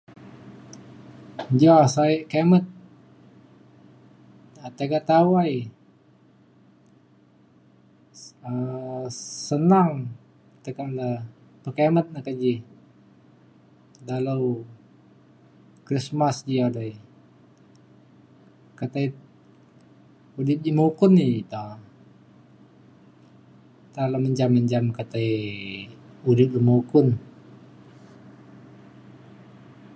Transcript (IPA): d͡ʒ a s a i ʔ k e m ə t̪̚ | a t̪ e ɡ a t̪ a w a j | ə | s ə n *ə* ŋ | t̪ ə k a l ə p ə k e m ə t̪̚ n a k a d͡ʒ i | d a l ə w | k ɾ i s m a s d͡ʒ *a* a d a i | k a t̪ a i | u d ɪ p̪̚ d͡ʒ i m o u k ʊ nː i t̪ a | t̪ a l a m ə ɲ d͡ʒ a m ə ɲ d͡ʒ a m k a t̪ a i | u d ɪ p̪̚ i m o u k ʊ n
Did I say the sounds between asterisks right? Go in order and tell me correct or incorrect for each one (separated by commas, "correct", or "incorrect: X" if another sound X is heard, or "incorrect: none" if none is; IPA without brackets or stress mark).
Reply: incorrect: a, incorrect: i